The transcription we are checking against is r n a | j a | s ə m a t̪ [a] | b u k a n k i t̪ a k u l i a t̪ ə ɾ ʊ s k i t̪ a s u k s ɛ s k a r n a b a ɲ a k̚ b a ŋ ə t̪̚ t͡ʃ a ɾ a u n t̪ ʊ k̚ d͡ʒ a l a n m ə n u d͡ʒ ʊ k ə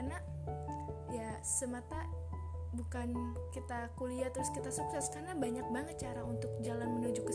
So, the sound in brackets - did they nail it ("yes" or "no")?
yes